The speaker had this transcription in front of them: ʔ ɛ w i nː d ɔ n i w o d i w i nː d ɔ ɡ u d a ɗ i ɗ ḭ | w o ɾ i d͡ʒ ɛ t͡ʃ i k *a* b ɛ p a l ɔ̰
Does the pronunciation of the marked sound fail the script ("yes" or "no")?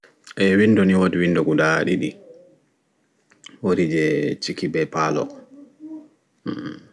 yes